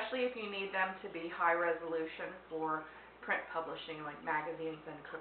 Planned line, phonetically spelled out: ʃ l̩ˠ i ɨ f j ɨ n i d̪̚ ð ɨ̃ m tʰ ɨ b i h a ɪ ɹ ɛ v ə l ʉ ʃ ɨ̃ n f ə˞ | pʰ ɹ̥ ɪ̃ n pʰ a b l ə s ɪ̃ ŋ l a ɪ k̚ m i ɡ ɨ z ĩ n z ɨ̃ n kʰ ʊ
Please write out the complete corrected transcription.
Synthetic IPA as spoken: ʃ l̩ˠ i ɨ f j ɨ n i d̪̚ ð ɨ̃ m tʰ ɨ b i h a ɪ ɹ ɛ z ə l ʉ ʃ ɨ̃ n f ə˞ | pʰ ɹ̥ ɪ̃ n pʰ ʌ b l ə ʃ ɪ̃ ŋ l a ɪ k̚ m æ ɡ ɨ z ĩ n z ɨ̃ n kʰ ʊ